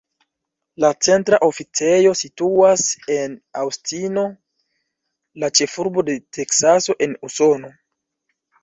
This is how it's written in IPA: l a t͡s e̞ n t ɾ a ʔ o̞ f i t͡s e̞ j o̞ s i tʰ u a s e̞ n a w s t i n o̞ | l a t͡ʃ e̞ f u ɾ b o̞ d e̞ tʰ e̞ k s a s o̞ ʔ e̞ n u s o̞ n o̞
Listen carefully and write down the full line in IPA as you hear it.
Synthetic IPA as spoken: l a t͡s e̞ n t ɾ a ʔ o̞ f i t͡s e̞ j o̞ s i t u a s e̞ n a w s t i n o̞ | l a t͡ʃ e̞ f u ɾ b o̞ d e̞ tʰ e̞ k s a s o̞ ʔ e̞ n u s o̞ n o̞